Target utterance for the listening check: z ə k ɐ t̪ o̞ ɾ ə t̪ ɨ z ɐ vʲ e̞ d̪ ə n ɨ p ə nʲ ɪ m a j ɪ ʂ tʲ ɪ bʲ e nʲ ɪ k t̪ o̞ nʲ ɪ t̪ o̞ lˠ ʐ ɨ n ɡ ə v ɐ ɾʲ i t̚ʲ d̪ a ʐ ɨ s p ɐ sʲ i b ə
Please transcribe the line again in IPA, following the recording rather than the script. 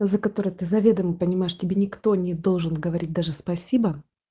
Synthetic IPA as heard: z ə k ɐ t̪ o̞ ɾ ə t̪ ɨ z ɐ vʲ e̞ d̪ ə m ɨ p ə nʲ ɪ m a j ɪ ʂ tʲ ɪ bʲ e nʲ ɪ k t̪ o̞ nʲ ɪ d̪ o̞ lˠ ʐ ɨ n ɡ ə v ɐ ɾʲ i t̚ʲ d̪ a ʐ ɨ s p ɐ sʲ i b ə